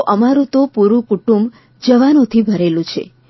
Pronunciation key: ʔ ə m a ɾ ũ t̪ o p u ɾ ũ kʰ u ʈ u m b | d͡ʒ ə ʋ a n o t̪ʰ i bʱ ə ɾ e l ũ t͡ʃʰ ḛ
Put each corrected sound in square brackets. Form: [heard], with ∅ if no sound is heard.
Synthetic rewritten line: ʔ ə m a ɾ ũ t̪ o p u ɾ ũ [k] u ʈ u m b | d͡ʒ ə ʋ a n o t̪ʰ i bʱ ə ɾ e l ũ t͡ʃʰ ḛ